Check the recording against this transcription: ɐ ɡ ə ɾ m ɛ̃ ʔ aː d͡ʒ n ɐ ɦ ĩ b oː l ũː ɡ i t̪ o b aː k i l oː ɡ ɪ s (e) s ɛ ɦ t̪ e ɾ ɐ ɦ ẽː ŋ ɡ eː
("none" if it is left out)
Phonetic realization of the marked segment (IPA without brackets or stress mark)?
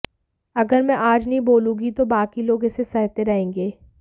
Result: e